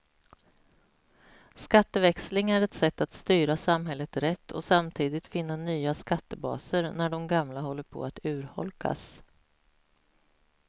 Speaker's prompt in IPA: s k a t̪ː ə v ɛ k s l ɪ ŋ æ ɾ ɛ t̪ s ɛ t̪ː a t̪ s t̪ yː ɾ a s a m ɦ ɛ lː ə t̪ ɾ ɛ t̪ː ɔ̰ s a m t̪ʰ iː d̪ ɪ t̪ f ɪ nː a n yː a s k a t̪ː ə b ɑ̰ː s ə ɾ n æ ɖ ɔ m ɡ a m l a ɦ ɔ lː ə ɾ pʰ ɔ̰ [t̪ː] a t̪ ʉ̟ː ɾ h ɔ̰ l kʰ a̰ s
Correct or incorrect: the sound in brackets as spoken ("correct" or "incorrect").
incorrect